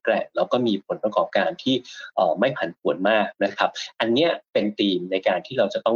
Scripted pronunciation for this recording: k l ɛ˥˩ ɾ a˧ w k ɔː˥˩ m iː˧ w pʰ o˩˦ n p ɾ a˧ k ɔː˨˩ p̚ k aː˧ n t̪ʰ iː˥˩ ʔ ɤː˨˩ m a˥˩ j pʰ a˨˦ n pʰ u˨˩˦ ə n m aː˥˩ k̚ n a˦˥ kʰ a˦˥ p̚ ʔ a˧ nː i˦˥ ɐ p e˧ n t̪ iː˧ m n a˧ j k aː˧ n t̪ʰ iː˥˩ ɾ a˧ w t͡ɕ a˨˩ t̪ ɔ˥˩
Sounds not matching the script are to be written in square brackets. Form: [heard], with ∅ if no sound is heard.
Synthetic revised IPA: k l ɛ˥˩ ɾ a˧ w k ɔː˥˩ m iː˧ [∅] pʰ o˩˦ n p ɾ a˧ k ɔː˨˩ p̚ k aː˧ n t̪ʰ iː˥˩ ʔ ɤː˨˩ m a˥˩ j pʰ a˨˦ n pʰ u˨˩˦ ə n m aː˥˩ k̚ n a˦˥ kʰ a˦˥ p̚ ʔ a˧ nː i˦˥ ɐ p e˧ n t̪ iː˧ m n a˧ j k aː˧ n t̪ʰ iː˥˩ ɾ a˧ w t͡ɕ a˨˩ t̪ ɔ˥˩